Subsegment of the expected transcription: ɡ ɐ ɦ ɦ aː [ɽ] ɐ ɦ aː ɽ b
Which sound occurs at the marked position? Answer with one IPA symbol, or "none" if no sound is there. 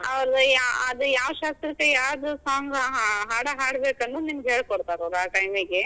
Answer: ɽ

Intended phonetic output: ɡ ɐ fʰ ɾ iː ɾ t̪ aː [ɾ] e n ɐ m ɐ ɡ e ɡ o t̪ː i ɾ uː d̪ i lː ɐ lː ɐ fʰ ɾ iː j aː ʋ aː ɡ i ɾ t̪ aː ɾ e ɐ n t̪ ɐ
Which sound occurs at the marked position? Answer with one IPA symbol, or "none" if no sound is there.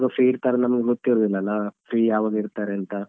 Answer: ɾ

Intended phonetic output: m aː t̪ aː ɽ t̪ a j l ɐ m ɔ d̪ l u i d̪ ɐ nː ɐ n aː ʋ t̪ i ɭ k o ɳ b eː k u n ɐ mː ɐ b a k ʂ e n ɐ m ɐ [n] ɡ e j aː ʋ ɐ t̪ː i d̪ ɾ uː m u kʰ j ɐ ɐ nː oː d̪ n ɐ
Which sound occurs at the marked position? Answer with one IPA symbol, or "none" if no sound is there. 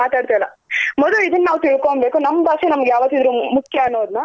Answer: none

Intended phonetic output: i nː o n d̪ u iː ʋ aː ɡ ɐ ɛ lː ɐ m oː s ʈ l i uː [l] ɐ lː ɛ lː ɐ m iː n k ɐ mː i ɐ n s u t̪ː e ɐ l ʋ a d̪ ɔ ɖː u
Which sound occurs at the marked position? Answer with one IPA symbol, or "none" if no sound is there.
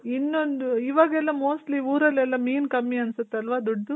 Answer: ɾ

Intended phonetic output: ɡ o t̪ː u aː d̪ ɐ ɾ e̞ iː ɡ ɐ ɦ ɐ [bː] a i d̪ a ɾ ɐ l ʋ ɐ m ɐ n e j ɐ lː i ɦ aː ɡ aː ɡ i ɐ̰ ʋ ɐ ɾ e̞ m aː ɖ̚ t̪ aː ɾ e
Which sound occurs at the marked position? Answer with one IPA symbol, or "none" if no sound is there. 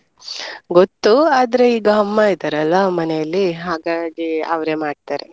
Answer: mː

